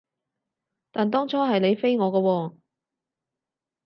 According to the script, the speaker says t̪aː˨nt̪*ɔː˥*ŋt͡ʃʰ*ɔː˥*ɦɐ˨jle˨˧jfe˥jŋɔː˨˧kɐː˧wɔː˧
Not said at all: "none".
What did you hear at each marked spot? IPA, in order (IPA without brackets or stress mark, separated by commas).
ɔː˥, ɔː˥